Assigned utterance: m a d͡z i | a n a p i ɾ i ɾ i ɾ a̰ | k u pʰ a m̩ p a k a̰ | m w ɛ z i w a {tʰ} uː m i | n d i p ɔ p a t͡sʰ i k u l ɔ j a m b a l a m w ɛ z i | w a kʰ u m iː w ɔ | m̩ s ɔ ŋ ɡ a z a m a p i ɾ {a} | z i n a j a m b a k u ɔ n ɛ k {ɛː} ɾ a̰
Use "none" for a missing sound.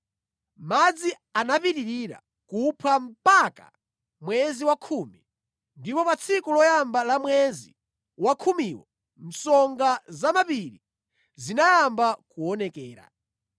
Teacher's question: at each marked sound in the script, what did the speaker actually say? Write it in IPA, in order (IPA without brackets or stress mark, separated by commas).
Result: kʰ, i, ɛː